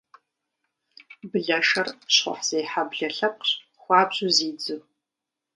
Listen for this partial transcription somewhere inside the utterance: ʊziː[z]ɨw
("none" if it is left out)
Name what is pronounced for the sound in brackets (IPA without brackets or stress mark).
d͡z